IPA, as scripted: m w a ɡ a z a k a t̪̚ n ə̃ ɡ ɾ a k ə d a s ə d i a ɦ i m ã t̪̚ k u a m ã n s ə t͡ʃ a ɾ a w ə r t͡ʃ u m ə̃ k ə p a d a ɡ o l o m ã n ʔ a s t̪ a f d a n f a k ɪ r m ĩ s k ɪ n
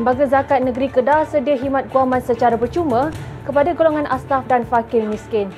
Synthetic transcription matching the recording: m b a ɡ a z a k a t̪̚ n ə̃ ɡ ɾ i k ə d a s ə d i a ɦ i m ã t̪̚ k u a m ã n s ə t͡ʃ a ɾ a b ə r t͡ʃ u m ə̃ k ə p a d a ɡ o l o ŋ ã n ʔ a s t̪ a f d a n f a k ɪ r m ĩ s k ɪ n